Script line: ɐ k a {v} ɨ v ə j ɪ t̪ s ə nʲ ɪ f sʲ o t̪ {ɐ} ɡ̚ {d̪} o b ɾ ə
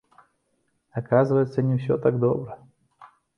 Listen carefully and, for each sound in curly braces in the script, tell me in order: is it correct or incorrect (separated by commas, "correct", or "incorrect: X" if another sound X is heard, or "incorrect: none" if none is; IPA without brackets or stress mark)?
incorrect: z, incorrect: a, correct